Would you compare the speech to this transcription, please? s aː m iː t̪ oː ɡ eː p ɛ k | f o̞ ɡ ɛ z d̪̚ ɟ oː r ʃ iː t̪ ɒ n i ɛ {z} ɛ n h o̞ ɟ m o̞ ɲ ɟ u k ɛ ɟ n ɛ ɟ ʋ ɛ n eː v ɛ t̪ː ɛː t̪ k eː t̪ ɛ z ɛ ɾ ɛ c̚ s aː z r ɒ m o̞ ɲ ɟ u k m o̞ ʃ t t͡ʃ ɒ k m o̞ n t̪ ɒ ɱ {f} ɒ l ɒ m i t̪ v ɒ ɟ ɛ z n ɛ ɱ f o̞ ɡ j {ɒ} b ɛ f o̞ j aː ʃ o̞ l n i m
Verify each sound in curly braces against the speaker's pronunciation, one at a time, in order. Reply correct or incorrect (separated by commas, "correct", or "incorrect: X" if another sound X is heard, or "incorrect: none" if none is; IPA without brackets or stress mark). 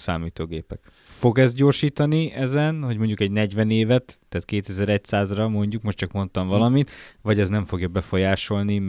correct, incorrect: v, correct